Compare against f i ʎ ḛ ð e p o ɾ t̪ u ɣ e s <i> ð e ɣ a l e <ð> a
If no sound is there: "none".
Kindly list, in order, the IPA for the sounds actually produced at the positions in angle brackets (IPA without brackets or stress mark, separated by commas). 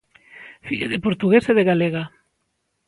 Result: e, ɣ